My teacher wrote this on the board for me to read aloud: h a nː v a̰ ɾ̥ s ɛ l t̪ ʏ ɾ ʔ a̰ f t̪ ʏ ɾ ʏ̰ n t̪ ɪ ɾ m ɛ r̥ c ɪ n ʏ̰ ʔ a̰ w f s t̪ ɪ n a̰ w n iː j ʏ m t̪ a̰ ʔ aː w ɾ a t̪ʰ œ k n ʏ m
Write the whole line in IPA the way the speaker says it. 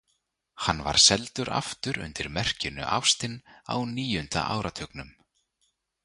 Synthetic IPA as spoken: h a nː v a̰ ɾ̥ s ɛ l t̪ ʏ ɾ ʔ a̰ f t̪ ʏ ɾ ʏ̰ n t̪ ɪ ɾ m ɛ r̥ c ɪ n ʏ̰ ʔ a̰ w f s t̪ ɪ n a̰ w n iː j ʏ n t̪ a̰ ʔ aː w ɾ a t̪ʰ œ k n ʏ m